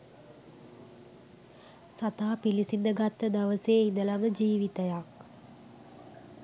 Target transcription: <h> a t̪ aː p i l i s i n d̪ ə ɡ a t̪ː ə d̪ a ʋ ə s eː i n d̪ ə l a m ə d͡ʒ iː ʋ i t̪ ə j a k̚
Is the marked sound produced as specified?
no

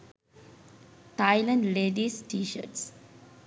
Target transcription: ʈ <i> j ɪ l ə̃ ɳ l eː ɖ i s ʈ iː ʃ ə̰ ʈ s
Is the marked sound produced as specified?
no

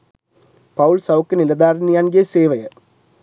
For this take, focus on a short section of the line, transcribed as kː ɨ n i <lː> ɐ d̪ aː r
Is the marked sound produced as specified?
no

